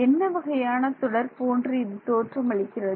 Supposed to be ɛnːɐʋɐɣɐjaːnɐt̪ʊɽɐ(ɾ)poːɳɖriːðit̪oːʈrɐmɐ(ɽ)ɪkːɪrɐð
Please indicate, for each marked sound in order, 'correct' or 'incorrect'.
correct, incorrect: ɭ

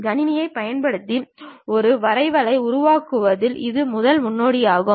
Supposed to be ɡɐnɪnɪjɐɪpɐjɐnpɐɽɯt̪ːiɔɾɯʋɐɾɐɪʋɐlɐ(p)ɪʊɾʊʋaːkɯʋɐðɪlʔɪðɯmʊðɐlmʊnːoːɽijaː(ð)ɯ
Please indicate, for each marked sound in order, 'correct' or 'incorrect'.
incorrect: none, incorrect: ɣ

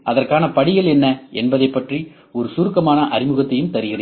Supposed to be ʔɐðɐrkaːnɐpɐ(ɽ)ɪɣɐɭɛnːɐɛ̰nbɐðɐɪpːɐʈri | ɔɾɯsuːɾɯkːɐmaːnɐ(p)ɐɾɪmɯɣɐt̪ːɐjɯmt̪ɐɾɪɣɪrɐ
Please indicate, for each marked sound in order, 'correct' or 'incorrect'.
correct, incorrect: ʔ

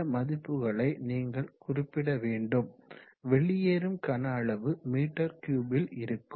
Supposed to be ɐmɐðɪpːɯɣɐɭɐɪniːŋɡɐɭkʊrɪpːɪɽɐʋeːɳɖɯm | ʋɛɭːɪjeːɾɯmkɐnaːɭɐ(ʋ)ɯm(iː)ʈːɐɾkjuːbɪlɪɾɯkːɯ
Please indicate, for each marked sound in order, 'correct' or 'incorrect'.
correct, correct

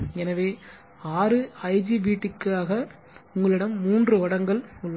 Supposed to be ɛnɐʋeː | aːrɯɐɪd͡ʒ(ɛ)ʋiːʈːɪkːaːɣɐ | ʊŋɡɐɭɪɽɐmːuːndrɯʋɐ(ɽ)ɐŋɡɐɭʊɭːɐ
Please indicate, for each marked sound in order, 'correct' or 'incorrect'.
incorrect: i, correct

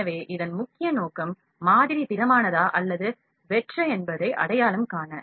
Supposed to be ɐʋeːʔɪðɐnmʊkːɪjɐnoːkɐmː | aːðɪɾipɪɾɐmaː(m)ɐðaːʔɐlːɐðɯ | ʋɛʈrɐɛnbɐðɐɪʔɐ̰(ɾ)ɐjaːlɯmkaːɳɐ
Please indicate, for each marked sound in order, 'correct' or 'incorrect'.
incorrect: n, incorrect: ɽ

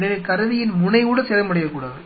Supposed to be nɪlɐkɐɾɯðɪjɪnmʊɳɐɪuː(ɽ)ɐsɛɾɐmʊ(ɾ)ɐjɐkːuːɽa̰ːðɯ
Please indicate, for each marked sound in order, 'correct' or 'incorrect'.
correct, incorrect: ɽ

